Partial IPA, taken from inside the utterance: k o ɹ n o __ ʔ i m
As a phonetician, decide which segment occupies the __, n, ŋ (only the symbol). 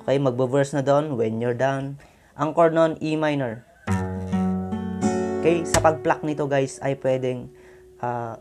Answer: n